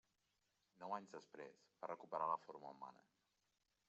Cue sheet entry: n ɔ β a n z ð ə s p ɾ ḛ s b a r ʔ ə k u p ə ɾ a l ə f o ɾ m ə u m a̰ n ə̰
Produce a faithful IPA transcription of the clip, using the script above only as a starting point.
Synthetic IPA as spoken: n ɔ w a ɲ z ð ə s p ɾ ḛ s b a r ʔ ə k u p ə ɾ a l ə f o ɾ m ə u m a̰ n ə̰